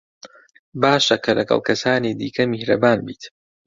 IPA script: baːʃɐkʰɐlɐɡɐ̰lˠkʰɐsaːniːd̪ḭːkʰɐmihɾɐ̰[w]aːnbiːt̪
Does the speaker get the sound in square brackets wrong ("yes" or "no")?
yes